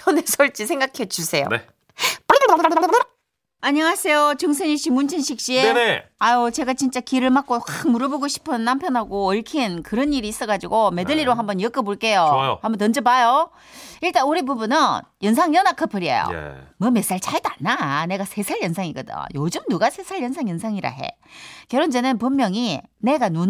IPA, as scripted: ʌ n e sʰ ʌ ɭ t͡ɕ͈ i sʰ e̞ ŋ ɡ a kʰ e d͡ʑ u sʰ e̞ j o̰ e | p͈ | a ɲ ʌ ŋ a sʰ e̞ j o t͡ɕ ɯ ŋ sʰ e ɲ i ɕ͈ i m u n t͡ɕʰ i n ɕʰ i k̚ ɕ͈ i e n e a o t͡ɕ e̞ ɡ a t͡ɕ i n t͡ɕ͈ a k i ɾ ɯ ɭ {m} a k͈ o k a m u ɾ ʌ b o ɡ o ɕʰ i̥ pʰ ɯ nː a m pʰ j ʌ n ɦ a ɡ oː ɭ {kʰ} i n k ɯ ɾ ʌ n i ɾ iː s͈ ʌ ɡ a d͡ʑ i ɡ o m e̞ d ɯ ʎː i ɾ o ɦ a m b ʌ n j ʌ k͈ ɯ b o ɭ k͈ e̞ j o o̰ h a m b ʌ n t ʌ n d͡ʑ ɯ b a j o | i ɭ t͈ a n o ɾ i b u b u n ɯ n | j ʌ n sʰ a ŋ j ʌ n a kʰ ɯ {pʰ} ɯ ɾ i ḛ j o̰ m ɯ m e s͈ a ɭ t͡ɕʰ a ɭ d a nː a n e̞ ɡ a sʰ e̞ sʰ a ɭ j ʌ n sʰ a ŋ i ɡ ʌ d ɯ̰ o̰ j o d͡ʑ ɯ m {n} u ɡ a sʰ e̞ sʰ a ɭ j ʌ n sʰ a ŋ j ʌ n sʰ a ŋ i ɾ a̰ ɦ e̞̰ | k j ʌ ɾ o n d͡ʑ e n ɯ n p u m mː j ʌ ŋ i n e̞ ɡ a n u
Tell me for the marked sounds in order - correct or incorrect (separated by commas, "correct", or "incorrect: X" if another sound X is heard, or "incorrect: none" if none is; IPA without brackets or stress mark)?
correct, correct, correct, correct